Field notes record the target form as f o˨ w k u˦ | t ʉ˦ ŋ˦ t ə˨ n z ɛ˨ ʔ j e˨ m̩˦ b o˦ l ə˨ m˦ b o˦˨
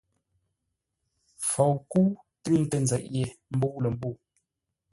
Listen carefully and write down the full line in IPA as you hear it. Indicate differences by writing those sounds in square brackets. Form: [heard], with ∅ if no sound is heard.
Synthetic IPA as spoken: f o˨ w k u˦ | t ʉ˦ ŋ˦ t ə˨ n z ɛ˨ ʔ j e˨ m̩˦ b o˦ l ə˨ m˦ b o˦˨